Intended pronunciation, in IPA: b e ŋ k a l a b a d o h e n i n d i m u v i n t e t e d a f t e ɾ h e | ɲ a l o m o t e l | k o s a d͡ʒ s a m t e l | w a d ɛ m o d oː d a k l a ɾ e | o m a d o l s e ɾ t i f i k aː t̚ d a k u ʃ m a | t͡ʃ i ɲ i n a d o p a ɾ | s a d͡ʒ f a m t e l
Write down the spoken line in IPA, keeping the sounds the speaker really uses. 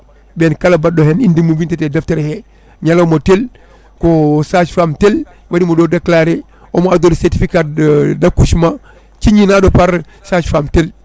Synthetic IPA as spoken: b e n k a l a b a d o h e n i n d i m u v i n t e t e d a f t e ɾ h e | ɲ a l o m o t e l | k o s a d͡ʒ f a m t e l | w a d i m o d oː d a k l a ɾ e | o m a d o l s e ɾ t i f i k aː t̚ d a k u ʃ m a | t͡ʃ i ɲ i n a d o p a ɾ | s a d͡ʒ f a m t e l